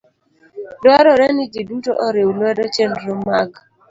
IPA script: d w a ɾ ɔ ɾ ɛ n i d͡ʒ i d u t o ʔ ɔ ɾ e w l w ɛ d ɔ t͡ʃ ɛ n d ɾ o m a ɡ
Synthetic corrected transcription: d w a ɾ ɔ ɾ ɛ n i d͡ʒ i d u t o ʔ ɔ ɾ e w l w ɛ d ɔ t͡ʃ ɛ n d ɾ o m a ɡ